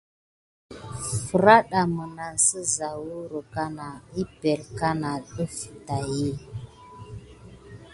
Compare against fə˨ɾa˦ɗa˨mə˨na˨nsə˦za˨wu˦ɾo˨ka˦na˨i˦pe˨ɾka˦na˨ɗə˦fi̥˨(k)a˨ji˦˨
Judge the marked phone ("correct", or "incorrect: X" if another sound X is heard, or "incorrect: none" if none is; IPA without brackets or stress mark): incorrect: t